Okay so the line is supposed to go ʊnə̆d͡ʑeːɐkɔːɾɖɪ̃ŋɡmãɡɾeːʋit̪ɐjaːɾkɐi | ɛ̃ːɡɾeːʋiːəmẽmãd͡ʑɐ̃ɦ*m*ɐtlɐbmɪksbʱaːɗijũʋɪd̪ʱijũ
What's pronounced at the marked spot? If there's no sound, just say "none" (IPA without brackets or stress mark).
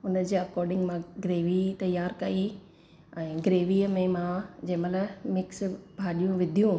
m